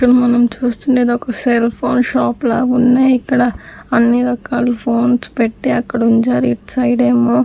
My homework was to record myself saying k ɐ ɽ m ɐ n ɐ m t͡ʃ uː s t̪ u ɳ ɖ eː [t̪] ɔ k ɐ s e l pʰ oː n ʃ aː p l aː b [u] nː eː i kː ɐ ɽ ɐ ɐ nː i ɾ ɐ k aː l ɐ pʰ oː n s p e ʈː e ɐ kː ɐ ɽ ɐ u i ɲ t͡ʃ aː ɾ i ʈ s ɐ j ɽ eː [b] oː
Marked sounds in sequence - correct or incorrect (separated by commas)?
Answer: incorrect, correct, incorrect